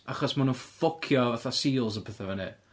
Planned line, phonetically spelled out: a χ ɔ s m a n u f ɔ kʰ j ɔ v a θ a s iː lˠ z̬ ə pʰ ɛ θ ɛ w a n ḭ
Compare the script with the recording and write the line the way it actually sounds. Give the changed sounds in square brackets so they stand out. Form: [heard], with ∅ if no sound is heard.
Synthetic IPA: a χ ɔ s m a n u f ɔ kʰ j ɔ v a θ a s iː lˠ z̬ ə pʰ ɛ θ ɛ [v] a n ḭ